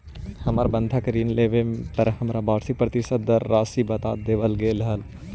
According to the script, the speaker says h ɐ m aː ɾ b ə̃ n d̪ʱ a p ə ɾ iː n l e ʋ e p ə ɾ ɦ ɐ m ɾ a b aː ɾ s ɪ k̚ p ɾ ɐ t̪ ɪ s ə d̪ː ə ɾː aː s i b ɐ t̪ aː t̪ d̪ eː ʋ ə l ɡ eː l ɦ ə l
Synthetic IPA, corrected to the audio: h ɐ m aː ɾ b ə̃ n d̪ʱ a k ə ɾ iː n l e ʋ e p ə ɾ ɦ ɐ m ɾ a b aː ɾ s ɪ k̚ p ɾ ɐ t̪ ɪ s ə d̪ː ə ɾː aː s i b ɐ t̪ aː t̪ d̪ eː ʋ ə l ɡ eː l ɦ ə l